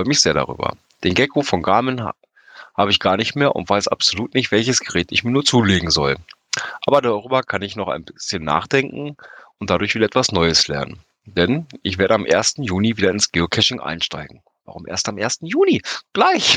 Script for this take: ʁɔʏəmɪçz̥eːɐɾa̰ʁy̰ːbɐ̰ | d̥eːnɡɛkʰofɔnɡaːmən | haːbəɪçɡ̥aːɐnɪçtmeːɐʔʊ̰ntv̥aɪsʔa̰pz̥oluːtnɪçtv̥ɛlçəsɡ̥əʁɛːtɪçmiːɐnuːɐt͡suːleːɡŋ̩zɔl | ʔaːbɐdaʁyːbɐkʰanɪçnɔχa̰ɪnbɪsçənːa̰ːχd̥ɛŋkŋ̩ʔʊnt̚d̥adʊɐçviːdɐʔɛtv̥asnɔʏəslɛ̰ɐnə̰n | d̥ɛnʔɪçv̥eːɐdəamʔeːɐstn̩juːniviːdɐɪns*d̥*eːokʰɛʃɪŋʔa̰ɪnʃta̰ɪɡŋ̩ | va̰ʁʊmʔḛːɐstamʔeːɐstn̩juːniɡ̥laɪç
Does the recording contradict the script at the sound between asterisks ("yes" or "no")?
yes